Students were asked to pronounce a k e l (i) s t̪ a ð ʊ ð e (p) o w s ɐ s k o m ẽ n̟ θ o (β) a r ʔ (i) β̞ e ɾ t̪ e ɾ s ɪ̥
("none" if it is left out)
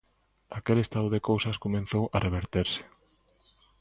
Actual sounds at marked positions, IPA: e, k, w, e

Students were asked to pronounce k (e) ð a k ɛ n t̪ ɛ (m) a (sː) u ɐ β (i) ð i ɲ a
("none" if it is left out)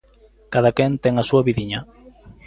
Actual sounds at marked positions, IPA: a, ŋ, s, i

